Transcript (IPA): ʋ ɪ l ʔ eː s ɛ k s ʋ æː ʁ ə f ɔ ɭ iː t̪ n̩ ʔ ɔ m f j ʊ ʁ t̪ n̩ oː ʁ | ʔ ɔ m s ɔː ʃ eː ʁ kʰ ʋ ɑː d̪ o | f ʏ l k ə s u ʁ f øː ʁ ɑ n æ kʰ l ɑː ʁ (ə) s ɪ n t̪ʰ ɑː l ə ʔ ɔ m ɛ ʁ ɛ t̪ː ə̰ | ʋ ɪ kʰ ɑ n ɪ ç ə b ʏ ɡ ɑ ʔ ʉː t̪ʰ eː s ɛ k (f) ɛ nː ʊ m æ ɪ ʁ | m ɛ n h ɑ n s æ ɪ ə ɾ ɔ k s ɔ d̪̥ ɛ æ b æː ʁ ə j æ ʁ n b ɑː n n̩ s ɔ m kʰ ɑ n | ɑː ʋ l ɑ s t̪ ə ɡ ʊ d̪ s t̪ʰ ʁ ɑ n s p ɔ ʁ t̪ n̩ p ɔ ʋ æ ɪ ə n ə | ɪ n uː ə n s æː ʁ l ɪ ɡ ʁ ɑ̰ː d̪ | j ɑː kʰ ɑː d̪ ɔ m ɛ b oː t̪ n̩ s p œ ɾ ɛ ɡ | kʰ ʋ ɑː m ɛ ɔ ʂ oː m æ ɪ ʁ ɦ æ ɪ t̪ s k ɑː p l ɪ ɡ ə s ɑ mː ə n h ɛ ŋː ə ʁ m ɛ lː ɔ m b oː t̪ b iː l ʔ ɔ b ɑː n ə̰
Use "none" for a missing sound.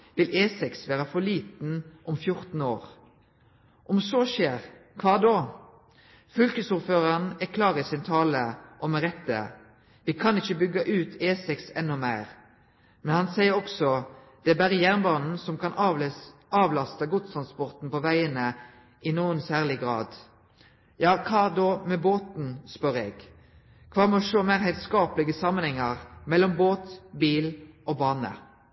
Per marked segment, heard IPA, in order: ə, s

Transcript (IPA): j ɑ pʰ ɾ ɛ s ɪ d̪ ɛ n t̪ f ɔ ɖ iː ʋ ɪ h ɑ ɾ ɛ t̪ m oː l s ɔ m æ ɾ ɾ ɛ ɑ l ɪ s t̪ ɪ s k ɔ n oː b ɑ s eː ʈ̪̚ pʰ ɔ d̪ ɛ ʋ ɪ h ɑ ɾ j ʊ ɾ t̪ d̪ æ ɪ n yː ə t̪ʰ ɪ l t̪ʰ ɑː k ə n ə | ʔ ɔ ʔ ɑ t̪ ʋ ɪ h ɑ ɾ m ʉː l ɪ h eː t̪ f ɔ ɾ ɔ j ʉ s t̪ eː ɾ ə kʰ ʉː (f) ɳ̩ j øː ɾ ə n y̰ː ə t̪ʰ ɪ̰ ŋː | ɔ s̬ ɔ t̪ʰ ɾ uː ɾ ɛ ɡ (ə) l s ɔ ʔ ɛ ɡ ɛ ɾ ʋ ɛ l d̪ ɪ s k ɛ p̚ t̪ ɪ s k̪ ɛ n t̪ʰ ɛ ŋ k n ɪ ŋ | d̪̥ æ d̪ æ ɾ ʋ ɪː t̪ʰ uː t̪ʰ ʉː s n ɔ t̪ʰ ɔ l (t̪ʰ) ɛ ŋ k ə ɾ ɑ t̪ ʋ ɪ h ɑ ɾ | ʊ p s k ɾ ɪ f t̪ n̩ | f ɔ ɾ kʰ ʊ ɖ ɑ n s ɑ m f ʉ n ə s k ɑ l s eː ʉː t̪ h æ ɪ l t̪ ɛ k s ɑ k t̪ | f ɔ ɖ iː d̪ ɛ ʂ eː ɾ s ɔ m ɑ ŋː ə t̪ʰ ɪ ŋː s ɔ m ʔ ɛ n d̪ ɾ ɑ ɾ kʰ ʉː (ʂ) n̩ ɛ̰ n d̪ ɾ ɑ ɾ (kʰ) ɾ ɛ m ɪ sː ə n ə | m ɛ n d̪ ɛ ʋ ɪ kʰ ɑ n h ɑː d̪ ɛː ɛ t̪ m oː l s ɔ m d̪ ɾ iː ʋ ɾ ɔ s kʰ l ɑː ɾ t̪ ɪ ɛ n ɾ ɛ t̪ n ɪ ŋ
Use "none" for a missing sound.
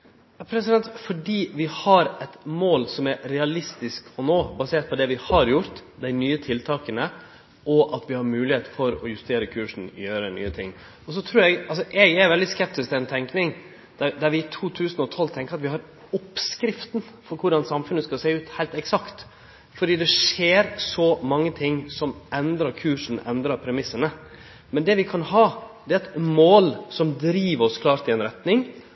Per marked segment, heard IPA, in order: ʂ, ɑ, t̪ʰ, ʂ, pʰ

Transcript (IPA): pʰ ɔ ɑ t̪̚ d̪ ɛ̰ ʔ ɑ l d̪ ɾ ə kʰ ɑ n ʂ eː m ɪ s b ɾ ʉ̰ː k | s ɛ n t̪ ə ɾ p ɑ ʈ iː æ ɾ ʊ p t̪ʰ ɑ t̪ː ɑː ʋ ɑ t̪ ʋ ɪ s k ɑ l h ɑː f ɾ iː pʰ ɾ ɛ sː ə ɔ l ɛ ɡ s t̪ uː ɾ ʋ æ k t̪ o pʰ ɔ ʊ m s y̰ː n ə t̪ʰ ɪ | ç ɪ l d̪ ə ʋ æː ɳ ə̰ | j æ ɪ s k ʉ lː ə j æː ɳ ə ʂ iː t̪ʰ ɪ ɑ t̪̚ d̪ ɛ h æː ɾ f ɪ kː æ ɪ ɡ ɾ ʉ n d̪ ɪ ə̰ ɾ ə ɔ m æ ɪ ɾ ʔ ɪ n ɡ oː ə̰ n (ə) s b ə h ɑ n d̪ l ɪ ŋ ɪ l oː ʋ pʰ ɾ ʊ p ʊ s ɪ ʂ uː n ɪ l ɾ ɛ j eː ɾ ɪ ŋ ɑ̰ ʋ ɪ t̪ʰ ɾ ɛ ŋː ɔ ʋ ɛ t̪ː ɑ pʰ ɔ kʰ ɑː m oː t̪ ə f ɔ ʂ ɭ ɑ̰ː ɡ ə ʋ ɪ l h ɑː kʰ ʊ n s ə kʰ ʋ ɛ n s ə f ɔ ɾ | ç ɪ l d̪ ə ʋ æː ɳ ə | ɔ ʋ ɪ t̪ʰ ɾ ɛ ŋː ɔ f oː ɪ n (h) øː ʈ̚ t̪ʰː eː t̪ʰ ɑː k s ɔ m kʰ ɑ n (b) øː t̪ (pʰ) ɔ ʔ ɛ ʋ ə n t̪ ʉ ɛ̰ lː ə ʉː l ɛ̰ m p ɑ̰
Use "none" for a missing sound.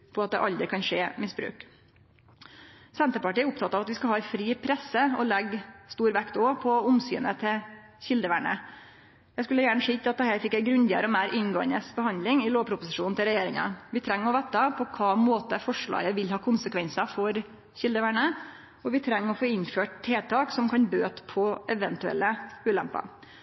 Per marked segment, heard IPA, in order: ə, f, b, pʰ

